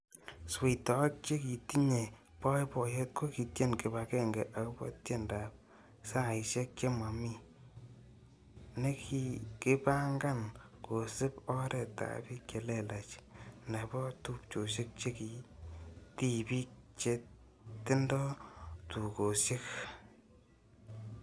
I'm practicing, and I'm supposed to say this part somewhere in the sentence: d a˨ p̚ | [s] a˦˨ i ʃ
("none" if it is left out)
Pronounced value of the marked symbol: s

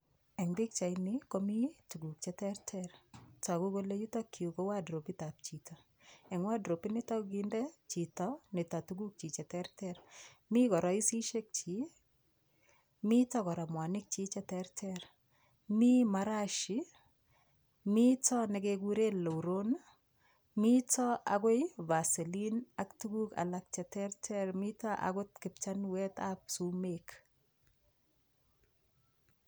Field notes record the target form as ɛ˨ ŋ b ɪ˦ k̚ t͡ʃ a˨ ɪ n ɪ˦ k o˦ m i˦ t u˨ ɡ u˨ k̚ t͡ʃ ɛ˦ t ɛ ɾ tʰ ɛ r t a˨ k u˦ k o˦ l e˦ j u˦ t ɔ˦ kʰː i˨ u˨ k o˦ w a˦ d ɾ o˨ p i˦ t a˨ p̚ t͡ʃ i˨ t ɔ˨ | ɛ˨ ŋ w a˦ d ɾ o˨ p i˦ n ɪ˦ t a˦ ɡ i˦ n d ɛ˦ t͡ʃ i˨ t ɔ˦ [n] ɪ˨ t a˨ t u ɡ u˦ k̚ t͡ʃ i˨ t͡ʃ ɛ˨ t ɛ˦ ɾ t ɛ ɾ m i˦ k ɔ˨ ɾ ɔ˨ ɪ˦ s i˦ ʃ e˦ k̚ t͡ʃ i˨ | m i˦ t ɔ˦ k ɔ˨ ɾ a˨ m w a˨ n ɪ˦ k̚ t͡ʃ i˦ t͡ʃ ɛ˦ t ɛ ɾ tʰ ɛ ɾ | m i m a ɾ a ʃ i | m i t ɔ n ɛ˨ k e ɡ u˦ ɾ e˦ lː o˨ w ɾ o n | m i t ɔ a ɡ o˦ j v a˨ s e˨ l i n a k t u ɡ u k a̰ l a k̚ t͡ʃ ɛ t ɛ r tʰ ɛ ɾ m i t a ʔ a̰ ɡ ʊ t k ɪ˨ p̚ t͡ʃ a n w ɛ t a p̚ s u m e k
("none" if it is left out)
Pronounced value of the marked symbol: n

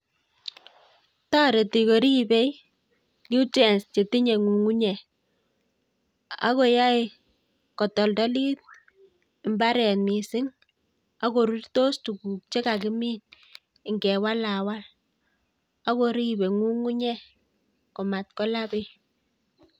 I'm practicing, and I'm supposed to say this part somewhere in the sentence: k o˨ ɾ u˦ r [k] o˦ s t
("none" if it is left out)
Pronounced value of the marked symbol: t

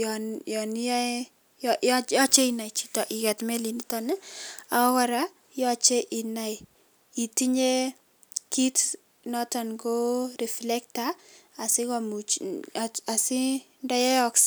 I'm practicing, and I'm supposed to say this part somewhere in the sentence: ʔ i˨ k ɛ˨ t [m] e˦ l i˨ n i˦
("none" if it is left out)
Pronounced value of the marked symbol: m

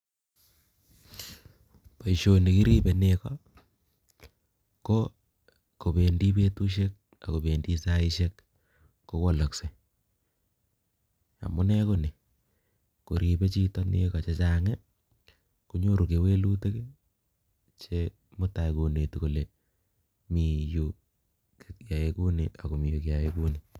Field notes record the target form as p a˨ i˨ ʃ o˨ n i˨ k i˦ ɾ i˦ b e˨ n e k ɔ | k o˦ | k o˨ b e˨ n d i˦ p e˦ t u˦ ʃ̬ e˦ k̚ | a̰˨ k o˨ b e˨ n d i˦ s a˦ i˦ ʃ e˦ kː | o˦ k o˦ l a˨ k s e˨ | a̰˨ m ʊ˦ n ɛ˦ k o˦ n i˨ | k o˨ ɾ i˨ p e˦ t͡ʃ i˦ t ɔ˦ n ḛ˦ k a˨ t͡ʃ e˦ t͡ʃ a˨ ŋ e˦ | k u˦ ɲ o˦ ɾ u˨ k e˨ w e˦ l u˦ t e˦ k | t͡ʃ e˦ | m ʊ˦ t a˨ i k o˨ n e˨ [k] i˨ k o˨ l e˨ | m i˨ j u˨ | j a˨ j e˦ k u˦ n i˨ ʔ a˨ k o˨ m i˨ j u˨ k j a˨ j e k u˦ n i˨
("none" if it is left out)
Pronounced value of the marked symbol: t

